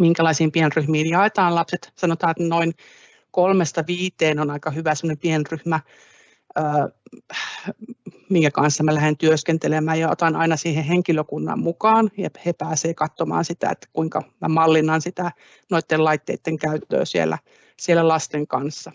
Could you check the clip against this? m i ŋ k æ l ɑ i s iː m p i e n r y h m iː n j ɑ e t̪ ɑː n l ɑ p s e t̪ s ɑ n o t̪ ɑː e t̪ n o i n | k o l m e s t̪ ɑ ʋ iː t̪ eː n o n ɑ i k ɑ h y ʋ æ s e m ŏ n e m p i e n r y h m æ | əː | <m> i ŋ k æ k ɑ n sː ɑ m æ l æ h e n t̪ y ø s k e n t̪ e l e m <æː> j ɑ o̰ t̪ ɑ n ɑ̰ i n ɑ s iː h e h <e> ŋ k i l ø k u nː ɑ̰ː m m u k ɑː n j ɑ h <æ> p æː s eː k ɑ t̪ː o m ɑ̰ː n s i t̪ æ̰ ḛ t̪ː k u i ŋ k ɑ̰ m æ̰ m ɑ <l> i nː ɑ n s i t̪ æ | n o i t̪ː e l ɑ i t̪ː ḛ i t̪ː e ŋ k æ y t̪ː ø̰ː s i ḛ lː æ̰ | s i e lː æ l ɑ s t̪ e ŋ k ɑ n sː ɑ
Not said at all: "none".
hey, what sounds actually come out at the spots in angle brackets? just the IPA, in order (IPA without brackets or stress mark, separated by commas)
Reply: m, æː, e, e, lː